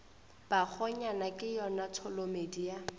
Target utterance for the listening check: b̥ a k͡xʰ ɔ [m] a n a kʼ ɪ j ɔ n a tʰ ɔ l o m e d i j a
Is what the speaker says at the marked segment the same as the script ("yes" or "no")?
no